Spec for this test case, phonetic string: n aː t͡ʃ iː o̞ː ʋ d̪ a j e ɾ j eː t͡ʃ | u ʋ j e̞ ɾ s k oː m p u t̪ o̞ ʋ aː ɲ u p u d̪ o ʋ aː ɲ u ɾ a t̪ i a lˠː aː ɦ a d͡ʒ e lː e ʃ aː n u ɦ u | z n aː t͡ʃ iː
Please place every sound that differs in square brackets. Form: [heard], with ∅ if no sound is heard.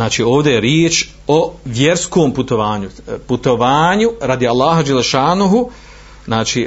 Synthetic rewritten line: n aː t͡ʃ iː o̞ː ʋ d̪ [e] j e ɾ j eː t͡ʃ | [o] ʋ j e̞ ɾ s k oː m p u t̪ o̞ ʋ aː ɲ u p u [t̪] o ʋ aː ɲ u ɾ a [d̪] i a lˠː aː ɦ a d͡ʒ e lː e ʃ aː n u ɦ u | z n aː t͡ʃ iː